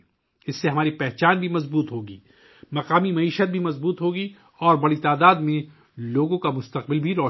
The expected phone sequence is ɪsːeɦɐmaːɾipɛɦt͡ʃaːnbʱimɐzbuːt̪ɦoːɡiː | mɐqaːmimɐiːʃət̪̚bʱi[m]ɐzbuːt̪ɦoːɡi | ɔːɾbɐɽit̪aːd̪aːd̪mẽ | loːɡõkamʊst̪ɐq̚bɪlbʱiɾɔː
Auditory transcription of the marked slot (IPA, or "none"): m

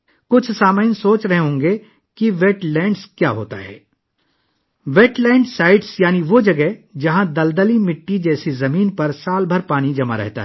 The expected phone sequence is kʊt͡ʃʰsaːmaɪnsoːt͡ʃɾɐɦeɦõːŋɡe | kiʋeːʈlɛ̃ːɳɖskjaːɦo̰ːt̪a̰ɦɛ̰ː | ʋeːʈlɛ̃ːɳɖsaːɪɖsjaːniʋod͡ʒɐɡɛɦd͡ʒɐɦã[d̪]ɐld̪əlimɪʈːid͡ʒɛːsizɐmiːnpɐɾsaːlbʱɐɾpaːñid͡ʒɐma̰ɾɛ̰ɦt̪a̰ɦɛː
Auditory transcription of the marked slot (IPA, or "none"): d̪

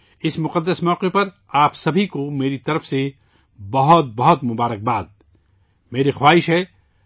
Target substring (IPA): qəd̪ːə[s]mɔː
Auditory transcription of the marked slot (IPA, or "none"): s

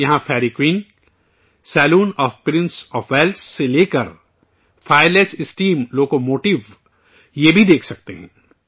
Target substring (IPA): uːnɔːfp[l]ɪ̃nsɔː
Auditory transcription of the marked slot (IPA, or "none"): ɾ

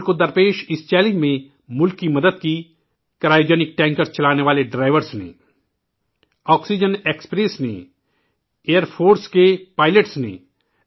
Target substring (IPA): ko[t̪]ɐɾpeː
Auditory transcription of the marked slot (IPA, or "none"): d̪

